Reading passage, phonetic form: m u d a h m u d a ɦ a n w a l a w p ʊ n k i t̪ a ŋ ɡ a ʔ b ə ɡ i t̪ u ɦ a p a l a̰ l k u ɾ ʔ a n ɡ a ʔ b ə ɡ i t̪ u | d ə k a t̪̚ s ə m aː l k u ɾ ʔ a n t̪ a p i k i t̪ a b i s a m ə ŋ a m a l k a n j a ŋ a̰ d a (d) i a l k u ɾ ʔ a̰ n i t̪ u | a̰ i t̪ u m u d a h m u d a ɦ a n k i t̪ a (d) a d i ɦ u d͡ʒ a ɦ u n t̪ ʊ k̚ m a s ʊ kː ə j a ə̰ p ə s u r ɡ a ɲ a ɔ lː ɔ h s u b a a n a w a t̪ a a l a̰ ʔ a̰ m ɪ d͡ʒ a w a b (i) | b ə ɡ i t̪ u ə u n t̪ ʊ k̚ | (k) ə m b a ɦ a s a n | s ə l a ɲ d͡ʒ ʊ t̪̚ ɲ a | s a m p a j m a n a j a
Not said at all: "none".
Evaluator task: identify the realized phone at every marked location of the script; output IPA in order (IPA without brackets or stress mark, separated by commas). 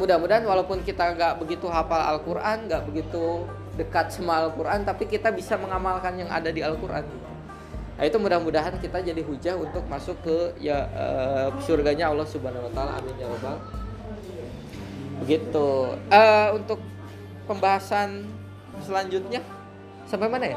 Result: d, d͡ʒ, a, p